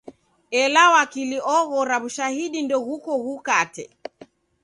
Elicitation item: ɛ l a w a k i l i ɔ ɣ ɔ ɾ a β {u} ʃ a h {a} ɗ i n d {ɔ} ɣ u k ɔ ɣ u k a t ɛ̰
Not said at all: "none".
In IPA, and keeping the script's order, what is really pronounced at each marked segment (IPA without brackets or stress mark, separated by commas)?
u, i, ɔ